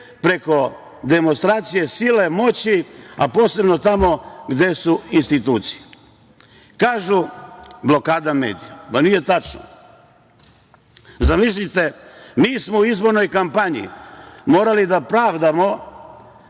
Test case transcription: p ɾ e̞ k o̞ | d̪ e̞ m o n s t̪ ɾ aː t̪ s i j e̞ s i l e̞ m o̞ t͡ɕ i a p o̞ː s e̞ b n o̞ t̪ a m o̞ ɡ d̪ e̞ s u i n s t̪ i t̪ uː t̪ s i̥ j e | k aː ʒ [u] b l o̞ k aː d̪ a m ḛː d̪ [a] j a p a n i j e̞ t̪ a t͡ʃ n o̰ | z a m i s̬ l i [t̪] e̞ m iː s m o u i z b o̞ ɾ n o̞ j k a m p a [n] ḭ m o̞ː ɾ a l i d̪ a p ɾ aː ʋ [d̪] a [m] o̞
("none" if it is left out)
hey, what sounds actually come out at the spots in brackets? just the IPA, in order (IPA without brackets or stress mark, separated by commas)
u, i, t̪, ɲ, d̪, m